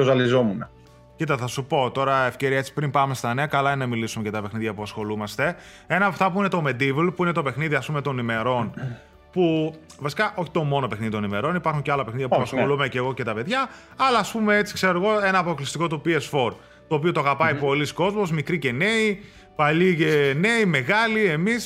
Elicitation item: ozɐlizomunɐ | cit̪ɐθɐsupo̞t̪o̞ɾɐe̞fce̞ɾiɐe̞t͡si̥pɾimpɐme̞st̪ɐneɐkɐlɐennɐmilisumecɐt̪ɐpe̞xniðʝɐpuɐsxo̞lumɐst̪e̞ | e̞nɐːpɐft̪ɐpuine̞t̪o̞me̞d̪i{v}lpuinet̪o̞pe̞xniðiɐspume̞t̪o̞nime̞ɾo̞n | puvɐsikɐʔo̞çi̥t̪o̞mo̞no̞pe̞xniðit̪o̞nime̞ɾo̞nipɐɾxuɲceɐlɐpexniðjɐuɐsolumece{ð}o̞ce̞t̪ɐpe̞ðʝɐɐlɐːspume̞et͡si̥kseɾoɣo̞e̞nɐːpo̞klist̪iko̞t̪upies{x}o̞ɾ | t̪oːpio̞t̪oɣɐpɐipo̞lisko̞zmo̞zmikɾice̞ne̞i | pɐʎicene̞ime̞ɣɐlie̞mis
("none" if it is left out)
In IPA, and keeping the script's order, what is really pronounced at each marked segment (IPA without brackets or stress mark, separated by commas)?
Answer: v, ɣ, f